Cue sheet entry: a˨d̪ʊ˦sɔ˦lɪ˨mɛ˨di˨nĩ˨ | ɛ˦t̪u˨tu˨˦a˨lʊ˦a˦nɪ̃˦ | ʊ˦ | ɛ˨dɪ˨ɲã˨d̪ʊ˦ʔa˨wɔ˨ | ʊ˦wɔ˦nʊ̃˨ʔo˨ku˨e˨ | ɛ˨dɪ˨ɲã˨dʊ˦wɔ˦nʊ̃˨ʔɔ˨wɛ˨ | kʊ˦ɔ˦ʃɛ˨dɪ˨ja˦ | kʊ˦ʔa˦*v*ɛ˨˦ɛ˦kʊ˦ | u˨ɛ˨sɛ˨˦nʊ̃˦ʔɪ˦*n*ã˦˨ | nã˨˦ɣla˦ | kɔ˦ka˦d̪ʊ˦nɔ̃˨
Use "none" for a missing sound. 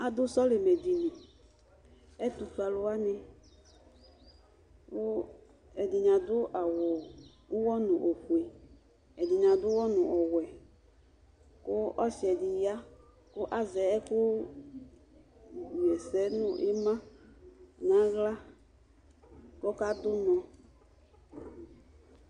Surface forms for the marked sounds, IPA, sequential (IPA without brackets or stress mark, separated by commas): z, m